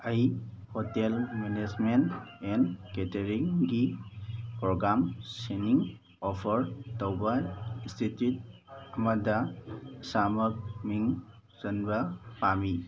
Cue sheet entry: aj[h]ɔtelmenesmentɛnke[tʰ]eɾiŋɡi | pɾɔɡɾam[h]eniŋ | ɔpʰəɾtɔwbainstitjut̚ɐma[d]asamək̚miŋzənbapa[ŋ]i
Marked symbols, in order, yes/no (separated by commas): yes, no, no, yes, no